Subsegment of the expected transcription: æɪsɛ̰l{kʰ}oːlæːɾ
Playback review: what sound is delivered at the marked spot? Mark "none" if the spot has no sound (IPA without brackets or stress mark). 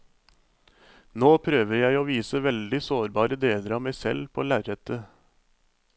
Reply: pʰ